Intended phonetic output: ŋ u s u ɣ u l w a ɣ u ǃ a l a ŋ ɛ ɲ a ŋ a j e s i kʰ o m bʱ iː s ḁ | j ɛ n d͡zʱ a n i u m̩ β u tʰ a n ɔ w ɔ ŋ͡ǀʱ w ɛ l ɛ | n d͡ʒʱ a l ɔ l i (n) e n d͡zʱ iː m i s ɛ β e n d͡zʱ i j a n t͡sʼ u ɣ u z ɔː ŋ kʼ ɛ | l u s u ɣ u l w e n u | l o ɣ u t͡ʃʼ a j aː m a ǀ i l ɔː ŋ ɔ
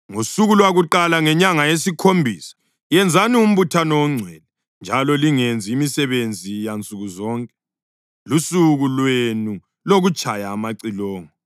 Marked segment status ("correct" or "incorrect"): incorrect